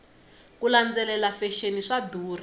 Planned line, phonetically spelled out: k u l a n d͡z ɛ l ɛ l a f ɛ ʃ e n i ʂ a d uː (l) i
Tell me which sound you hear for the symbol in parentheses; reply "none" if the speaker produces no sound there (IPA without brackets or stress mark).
r